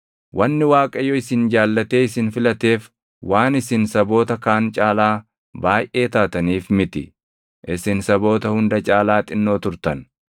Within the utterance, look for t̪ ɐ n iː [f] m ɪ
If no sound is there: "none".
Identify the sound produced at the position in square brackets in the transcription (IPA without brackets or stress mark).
f